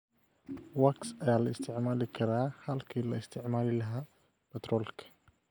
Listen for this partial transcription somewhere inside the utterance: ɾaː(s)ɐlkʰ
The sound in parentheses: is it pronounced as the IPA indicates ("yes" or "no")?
no